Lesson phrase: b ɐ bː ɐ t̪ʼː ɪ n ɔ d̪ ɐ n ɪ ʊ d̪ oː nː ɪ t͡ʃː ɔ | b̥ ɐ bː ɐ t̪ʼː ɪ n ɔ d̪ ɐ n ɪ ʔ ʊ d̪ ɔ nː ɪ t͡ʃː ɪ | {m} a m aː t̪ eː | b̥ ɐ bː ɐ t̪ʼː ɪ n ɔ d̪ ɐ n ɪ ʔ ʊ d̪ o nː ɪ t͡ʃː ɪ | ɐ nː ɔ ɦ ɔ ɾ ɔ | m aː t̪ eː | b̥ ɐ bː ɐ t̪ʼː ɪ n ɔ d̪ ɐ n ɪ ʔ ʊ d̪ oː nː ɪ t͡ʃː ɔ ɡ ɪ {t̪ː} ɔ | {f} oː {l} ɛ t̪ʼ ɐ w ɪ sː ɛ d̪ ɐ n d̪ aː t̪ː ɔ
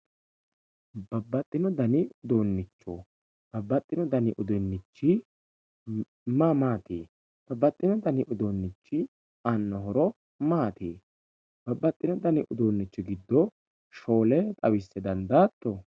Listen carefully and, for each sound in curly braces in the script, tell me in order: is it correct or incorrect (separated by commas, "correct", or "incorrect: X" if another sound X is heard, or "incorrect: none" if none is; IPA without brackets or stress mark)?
correct, incorrect: d̪ː, incorrect: ʃ, correct